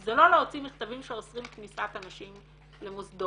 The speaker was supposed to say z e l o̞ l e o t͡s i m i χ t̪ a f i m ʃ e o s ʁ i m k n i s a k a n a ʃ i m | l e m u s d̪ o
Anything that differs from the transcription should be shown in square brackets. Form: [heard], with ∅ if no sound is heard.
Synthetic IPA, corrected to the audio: z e l o̞ l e o t͡s i m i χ t̪ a [v] i m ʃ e o s ʁ i m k n i s a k a n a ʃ i m | l e m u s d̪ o